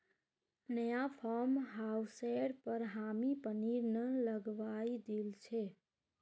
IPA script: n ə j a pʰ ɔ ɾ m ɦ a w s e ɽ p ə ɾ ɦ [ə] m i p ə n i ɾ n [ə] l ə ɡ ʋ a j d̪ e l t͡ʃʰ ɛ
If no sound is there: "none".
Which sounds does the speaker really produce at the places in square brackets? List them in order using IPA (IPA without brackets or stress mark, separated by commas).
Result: a, ə